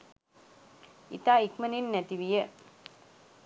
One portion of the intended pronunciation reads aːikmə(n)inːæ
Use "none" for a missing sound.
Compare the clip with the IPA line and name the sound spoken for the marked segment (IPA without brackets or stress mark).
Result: n